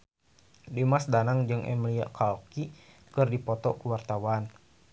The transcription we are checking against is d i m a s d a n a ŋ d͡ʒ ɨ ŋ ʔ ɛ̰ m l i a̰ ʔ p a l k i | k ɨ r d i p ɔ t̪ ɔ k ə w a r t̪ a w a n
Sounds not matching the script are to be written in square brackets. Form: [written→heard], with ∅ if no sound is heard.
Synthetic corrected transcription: d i m a s d a n a ŋ d͡ʒ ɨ ŋ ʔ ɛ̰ m l i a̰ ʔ [p→k] a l k i | k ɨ r d i p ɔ t̪ ɔ k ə w a r t̪ a w a n